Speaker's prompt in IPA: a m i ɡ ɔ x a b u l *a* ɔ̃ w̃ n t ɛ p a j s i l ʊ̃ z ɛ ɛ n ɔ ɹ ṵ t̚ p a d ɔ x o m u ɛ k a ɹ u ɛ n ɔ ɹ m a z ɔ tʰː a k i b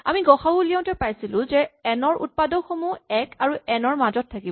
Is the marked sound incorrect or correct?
incorrect: i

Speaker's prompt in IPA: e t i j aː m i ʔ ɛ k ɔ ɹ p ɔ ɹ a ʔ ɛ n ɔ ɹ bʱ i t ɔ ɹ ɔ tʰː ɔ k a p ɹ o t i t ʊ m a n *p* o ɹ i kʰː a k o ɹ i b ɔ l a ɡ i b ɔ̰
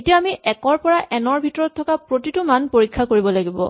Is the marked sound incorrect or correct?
correct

